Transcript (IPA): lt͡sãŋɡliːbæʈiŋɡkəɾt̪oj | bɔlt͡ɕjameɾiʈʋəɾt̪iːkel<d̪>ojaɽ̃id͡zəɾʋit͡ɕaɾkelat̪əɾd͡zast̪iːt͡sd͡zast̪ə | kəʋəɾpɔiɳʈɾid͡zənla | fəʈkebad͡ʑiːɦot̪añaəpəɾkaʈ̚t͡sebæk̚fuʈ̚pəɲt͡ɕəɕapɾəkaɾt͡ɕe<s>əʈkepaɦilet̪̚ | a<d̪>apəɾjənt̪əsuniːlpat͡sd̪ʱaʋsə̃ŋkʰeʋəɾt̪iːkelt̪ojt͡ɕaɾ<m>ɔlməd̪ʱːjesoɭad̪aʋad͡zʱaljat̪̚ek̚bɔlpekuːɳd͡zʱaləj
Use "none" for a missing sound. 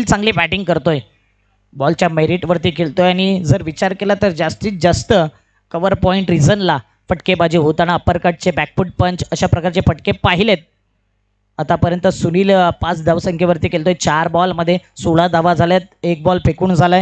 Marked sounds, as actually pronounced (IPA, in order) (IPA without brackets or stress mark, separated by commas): t̪, f, t̪, b